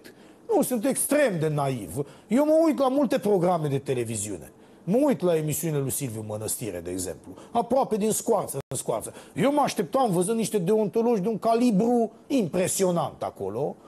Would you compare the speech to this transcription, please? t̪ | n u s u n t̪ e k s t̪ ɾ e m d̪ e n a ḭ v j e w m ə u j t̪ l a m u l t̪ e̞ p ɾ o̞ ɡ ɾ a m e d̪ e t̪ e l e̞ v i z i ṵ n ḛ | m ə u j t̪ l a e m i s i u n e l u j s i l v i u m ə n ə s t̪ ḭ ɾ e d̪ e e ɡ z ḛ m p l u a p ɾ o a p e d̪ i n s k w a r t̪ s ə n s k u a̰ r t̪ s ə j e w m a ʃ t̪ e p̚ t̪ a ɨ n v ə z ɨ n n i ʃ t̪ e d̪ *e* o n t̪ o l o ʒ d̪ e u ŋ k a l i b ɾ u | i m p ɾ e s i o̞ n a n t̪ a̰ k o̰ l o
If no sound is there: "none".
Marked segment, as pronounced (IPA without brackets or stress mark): e